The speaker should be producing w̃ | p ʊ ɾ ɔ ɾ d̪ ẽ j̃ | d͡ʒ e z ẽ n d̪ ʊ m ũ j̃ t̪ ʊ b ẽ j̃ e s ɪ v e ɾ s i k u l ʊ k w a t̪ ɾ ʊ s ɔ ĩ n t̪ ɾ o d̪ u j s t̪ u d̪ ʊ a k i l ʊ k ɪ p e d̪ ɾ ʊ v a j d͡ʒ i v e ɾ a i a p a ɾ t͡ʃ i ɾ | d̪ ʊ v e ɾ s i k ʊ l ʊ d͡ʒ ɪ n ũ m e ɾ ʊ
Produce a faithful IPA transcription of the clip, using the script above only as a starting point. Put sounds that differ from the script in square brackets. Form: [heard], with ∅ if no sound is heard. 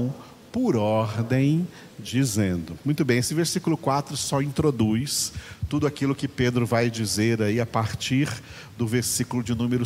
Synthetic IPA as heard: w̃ | p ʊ ɾ ɔ ɾ d̪ ẽ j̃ | d͡ʒ [i] z ẽ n d̪ ʊ m ũ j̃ t̪ ʊ b ẽ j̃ e s ɪ v e ɾ s i k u l ʊ k w a t̪ ɾ ʊ s ɔ ĩ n t̪ ɾ o d̪ u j s t̪ u d̪ ʊ a k i l ʊ k ɪ p e d̪ ɾ ʊ v a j d͡ʒ i [z] e ɾ a i a p a ɾ t͡ʃ i ɾ | d̪ ʊ v e ɾ s i k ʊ l ʊ d͡ʒ ɪ n ũ m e ɾ ʊ